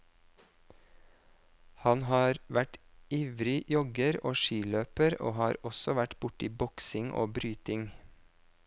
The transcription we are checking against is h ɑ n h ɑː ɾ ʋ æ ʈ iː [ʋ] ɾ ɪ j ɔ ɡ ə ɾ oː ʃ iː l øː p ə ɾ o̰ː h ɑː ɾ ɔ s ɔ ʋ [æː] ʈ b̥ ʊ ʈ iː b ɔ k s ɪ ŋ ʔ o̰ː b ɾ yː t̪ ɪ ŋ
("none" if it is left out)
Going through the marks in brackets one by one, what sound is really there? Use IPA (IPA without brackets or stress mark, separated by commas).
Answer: ʋ, æ